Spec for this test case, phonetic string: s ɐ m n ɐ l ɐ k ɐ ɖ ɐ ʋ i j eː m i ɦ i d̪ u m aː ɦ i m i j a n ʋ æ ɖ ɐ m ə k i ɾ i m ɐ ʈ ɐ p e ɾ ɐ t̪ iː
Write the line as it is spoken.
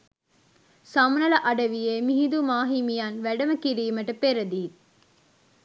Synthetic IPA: s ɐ m n ɐ l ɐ ʔ ɐ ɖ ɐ ʋ i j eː m i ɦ i d̪ u m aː ɦ i m i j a n ʋ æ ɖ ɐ m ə k i ɾ iː m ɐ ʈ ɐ p e ɾ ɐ d̪ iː